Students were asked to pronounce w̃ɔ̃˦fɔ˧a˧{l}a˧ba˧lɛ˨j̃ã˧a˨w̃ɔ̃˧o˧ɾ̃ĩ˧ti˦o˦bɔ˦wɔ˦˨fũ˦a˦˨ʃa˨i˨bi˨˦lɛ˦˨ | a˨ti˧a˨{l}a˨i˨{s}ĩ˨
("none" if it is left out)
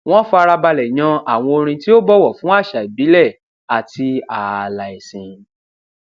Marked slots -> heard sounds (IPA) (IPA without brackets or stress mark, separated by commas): ɾ, l, s